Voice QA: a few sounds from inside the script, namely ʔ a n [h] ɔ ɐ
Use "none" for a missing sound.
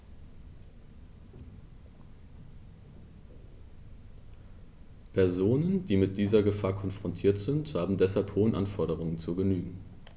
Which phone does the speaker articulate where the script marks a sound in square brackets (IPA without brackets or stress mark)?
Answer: f